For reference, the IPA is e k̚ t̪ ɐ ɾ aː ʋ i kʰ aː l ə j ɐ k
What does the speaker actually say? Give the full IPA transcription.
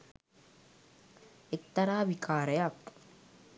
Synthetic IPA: e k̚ t̪ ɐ ɾ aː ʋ i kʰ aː ɾ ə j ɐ k